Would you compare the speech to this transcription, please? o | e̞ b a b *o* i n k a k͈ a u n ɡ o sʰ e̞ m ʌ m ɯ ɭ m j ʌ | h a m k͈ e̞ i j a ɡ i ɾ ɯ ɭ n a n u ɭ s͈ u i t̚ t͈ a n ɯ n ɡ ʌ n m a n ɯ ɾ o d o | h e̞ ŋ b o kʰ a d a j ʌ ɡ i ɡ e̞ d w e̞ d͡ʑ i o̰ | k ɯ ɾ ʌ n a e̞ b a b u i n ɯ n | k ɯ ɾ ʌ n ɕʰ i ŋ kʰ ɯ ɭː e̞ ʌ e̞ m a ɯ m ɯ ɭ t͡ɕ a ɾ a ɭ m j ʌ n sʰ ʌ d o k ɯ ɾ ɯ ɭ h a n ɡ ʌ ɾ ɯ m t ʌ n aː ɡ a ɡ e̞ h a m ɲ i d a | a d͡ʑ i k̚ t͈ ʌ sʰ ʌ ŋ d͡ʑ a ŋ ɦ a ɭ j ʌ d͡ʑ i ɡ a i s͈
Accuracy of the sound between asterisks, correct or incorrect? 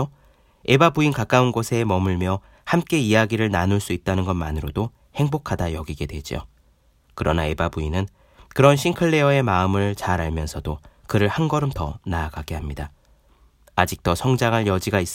incorrect